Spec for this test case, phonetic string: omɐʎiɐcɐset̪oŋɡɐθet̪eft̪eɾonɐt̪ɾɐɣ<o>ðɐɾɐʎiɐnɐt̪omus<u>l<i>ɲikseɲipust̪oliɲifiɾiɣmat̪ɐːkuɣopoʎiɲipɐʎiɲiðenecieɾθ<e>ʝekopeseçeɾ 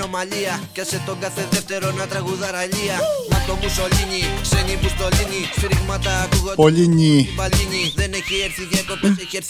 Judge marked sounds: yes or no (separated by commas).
no, no, yes, no